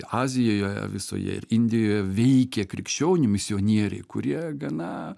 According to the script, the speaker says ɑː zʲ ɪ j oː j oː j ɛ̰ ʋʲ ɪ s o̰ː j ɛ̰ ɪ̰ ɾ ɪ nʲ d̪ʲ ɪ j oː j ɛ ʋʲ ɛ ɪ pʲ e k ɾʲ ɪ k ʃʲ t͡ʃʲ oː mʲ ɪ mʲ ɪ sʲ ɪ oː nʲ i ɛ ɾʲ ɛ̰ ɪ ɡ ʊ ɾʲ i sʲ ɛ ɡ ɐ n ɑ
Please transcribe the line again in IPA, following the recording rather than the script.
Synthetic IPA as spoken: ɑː zʲ ɪ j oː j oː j ɛ̰ ʋʲ ɪ s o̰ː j ɛ̰ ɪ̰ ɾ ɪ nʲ d̪ʲ ɪ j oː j ɛ ʋʲ ɛ ɪ kʲ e k ɾʲ ɪ k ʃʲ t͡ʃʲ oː nʲ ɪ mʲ ɪ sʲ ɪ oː nʲ i ɛ ɾʲ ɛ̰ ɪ k ʊ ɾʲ i ɛ ɡ ɐ n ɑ